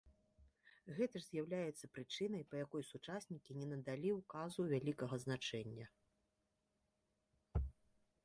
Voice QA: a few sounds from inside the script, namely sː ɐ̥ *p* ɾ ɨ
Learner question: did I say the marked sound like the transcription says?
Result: yes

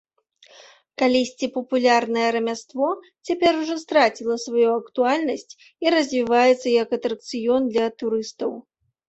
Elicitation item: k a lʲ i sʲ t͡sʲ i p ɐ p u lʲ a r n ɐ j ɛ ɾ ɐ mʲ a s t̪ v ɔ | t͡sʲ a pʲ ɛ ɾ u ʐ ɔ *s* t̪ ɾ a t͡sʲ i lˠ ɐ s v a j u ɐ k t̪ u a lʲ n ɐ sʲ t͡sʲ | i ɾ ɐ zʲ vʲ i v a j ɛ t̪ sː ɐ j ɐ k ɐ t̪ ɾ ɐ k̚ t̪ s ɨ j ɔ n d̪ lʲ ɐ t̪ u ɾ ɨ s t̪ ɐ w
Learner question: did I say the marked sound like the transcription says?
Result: yes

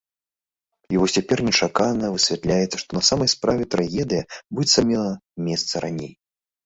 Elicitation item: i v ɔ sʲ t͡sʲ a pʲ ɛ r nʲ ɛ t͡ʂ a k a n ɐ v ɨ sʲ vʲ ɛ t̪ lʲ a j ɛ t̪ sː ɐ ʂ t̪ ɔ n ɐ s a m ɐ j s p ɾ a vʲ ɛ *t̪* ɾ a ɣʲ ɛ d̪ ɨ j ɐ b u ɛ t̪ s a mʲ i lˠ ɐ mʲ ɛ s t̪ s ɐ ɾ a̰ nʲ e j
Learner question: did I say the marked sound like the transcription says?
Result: yes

